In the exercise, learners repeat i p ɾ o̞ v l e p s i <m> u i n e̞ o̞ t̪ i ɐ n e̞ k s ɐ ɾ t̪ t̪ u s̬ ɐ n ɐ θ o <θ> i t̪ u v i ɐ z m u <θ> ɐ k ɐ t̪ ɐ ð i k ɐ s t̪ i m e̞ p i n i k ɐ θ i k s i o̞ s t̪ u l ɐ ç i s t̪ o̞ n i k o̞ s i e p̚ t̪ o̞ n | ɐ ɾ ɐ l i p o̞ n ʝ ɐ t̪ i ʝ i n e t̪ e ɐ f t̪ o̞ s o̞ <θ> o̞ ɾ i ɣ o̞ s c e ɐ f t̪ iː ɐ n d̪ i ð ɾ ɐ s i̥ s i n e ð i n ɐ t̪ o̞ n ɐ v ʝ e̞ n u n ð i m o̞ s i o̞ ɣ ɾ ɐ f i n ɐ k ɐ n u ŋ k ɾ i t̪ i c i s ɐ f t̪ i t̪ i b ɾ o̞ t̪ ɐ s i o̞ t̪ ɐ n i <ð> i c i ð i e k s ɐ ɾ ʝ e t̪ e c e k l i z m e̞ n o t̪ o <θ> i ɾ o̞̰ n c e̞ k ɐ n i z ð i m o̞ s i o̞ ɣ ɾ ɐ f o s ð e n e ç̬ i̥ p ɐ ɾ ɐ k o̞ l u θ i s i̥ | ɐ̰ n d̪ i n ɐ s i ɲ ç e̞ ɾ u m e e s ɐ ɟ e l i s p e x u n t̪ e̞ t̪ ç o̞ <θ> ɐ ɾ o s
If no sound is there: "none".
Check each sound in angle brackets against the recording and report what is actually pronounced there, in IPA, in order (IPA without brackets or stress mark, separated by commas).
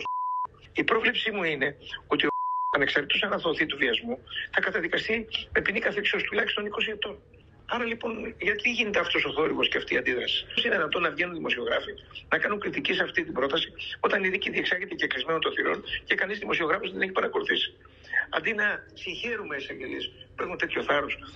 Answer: m, θ, θ, θ, ð, θ, θ